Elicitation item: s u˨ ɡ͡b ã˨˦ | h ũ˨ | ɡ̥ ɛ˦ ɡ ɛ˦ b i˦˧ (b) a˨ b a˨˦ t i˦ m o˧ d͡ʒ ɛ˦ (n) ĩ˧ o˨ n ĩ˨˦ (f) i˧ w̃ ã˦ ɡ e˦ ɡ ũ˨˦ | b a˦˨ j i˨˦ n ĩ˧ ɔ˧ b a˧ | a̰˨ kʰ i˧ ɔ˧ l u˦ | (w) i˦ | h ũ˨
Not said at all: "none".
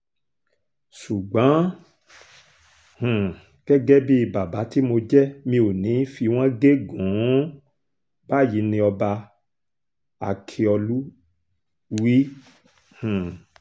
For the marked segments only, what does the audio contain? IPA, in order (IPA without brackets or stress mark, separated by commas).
b, m, f, w